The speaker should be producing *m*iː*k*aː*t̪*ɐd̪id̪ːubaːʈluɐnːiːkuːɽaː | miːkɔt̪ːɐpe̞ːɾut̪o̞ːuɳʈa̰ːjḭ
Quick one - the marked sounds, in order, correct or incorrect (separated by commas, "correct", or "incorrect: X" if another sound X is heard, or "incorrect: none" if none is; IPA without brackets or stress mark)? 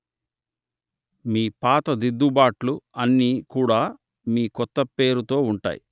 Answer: correct, incorrect: p, correct